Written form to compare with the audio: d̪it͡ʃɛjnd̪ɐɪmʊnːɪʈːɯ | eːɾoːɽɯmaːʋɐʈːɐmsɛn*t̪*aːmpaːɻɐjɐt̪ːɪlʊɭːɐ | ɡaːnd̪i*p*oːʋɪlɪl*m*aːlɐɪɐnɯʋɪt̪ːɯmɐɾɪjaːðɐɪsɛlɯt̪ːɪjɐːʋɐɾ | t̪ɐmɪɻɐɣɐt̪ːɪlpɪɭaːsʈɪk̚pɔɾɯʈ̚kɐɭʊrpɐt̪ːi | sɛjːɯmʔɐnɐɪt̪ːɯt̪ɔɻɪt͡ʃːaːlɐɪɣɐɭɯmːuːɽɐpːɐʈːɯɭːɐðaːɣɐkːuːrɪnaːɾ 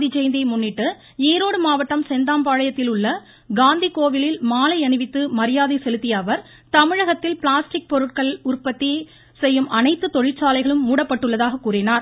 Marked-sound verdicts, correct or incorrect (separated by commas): incorrect, incorrect, correct